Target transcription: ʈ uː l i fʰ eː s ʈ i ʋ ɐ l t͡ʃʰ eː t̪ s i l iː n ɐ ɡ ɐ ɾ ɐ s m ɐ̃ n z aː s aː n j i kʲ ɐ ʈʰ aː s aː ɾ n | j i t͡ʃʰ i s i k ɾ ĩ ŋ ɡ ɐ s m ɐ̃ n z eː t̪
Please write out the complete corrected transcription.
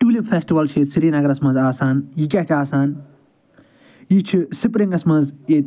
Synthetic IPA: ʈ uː l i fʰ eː s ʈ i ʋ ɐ l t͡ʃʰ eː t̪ s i ɾ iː n ɐ ɡ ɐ ɾ ɐ s m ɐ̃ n z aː s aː n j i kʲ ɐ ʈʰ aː s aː n | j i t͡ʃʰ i s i p ɾ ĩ ŋ ɡ ɐ s m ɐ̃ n z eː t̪